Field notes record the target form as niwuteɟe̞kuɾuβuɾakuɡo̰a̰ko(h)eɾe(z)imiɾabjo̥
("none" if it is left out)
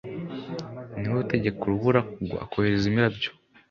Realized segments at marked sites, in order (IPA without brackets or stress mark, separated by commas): h, z